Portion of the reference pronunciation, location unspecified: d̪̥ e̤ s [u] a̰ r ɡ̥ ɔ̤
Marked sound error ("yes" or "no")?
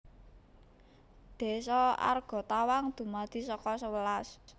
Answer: yes